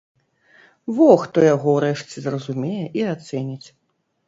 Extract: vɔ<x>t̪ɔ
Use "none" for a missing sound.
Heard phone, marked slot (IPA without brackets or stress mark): x